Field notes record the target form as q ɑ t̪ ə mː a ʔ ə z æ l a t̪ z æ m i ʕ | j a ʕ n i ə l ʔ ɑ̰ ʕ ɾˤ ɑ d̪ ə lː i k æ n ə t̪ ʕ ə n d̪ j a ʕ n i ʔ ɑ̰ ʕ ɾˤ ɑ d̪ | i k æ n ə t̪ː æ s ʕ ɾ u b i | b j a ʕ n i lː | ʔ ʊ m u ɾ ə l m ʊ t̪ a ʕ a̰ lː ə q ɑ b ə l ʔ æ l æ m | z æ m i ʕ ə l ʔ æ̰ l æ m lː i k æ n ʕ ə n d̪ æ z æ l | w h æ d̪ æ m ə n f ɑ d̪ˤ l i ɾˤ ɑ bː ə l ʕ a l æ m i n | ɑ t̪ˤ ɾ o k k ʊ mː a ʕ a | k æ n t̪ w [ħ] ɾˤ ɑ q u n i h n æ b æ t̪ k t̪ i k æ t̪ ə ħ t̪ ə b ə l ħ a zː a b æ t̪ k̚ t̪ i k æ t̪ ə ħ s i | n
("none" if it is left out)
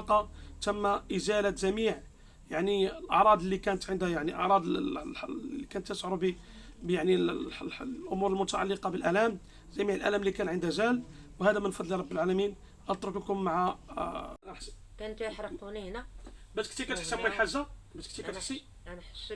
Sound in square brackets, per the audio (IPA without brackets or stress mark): ħ